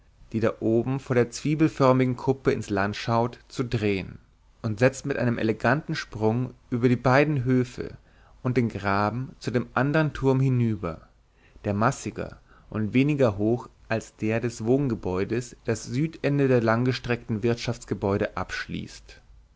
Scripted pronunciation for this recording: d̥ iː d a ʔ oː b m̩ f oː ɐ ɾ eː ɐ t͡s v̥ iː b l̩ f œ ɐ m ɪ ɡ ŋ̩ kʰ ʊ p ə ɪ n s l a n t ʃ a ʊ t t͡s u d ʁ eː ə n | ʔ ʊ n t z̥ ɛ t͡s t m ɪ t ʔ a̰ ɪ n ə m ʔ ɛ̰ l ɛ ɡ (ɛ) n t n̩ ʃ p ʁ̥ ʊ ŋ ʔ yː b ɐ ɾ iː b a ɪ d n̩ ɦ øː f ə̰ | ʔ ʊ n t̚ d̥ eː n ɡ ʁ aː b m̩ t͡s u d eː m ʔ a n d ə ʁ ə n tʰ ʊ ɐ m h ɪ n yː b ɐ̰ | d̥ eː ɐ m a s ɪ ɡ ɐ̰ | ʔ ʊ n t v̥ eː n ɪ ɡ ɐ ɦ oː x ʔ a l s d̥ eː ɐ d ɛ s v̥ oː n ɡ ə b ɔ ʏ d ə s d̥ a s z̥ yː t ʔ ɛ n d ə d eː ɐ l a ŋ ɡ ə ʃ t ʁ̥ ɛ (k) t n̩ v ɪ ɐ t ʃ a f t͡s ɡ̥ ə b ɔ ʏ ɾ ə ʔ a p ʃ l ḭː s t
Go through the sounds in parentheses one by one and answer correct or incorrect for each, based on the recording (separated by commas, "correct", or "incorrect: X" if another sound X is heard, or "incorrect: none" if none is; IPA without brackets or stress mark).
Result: incorrect: a, correct